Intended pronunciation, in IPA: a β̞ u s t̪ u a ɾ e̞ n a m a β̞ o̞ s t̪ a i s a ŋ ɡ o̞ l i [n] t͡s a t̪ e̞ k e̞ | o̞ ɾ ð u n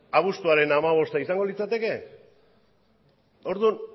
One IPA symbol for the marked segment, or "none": none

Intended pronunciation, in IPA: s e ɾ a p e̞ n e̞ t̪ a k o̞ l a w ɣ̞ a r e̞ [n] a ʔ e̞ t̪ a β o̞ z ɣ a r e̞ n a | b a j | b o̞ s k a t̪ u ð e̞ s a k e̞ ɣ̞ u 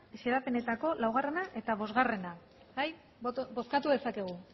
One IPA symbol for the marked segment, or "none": n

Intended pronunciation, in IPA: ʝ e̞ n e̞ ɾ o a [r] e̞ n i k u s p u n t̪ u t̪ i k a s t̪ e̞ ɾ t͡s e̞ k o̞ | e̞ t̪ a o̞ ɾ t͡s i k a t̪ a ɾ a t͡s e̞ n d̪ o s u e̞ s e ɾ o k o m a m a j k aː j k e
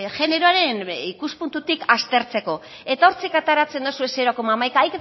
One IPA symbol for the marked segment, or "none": ɾ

